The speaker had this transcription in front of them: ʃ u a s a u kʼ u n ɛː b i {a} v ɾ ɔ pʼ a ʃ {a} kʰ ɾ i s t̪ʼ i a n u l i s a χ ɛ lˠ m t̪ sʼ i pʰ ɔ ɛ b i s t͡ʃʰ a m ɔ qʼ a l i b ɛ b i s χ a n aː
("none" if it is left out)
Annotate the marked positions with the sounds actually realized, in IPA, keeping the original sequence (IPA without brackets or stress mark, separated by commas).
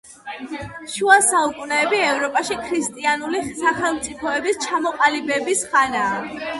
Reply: ɛ, i